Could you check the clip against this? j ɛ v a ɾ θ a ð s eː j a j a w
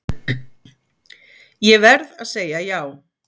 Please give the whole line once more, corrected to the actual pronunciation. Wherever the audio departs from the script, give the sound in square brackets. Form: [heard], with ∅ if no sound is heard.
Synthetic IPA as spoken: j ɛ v [ɛ] ɾ [ð] a ð s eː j a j a w